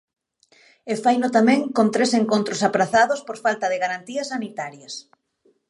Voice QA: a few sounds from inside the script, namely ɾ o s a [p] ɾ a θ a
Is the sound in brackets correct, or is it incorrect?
correct